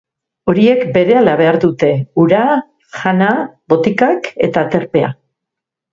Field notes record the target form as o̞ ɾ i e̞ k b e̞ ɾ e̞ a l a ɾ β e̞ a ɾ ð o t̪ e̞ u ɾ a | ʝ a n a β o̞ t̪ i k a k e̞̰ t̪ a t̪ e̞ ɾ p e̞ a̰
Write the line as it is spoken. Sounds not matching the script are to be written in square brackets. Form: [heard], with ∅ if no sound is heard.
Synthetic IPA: o̞ ɾ i e̞ k b e̞ ɾ e̞ a l a [∅] β e̞ a ɾ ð [u] t̪ e̞ u ɾ a | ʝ a n a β o̞ t̪ i k a k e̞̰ t̪ a t̪ e̞ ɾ p e̞ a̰